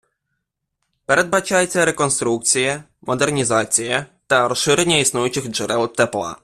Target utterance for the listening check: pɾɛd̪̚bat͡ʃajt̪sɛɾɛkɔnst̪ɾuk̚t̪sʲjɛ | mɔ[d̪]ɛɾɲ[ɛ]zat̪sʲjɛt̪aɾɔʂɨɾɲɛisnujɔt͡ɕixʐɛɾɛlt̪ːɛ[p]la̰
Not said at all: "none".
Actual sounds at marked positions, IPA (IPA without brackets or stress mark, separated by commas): d̪, i, p